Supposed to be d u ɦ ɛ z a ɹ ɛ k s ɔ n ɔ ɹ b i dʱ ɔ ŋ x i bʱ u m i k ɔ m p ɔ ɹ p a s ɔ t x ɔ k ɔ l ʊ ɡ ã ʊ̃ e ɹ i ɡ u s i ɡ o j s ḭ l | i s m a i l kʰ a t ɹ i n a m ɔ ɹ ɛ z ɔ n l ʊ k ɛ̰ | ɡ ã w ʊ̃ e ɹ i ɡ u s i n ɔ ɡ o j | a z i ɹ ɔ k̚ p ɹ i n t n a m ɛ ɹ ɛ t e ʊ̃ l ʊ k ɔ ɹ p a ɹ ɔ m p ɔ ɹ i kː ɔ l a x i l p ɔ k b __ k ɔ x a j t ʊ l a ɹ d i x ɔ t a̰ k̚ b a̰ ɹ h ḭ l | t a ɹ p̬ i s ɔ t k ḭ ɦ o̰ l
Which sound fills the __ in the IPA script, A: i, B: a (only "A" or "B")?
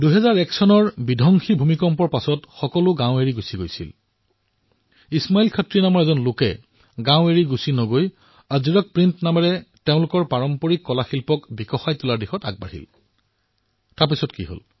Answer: A